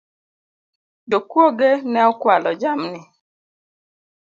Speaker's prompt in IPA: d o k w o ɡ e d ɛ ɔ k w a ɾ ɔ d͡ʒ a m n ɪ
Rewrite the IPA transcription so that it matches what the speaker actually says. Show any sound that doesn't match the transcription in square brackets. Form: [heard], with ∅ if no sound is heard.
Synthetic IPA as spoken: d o k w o ɡ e [n] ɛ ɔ k w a [l] ɔ d͡ʒ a m n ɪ